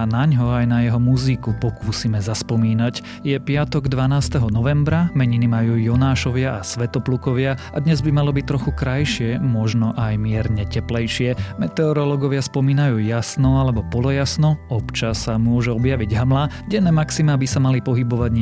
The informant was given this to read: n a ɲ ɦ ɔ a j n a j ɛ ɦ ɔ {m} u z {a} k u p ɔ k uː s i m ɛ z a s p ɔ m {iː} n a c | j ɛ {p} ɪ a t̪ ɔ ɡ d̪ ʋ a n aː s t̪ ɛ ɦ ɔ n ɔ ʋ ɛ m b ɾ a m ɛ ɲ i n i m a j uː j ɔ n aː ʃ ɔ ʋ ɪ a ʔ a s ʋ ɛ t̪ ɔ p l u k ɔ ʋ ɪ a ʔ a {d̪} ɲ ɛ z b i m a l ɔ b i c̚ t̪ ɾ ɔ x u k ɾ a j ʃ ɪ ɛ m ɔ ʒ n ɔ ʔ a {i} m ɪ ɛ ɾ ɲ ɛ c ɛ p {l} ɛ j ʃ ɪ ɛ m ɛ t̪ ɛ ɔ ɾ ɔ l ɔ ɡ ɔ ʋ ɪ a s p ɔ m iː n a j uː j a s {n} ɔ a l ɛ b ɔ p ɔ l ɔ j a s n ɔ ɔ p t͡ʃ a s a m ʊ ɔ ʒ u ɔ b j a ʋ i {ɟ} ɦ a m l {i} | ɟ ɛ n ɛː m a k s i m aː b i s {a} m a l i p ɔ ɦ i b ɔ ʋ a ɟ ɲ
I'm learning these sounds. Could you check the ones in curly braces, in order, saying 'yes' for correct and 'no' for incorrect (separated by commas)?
yes, no, yes, yes, yes, no, yes, yes, yes, no, yes